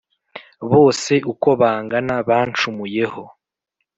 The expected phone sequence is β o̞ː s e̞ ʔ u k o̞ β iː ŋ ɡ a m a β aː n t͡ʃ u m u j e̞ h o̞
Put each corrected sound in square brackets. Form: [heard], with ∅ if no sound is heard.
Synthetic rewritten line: β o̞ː s e̞ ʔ u k o̞ β [aː] ŋ ɡ a [n] a β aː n t͡ʃ u m u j e̞ h o̞